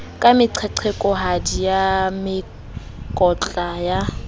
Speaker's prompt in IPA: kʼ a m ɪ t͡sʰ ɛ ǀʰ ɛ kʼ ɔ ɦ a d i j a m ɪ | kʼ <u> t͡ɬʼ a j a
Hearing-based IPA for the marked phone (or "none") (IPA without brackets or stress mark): ɔ